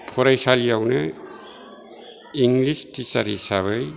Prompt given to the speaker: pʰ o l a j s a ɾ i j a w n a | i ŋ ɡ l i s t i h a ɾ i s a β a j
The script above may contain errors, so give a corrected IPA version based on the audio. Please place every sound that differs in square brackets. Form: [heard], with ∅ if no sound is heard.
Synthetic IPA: pʰ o [ɾ] a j s a [l] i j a w n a | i ŋ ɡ l i s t i [s] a ɾ i s a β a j